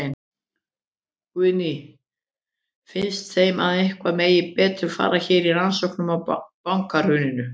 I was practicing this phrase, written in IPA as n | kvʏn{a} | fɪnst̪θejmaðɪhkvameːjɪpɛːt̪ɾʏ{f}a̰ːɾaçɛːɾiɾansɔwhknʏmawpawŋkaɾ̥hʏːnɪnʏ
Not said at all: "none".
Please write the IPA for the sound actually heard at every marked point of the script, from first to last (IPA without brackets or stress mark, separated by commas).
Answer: i, f